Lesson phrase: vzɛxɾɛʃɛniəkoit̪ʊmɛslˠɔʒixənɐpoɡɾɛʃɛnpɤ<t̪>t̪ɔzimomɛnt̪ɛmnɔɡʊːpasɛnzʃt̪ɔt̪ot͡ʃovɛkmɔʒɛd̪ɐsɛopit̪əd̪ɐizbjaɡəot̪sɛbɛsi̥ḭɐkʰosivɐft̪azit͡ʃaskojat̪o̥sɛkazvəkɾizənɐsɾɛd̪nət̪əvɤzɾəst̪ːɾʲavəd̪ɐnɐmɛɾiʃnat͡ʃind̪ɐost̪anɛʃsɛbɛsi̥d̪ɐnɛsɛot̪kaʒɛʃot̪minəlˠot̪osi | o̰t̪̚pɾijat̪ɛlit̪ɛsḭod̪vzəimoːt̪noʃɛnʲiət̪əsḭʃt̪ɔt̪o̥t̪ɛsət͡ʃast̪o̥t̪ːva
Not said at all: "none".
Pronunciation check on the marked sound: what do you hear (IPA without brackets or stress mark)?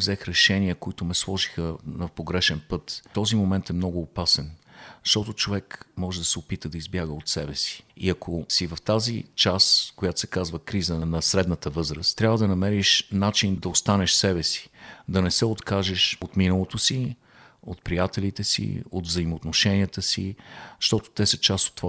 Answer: t̪